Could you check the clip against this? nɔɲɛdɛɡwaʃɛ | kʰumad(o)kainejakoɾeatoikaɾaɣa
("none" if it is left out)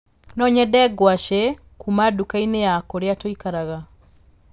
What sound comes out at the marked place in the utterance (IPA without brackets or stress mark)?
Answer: u